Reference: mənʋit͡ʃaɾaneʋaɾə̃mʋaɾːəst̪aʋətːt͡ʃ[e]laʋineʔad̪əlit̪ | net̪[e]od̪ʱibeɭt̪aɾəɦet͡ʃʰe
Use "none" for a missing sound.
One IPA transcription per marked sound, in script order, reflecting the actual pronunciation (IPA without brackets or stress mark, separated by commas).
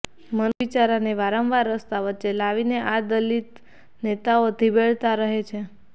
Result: e, a